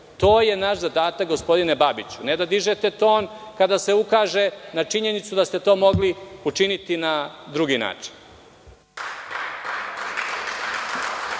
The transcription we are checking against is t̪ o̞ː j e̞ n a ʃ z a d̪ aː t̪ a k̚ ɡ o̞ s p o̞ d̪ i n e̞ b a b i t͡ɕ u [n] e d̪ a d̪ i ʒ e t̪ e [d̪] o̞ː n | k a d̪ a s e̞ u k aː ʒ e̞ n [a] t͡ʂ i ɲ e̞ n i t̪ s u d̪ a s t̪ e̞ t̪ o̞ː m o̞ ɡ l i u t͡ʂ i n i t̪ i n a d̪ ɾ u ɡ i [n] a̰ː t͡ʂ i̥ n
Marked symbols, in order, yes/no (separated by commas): yes, no, yes, yes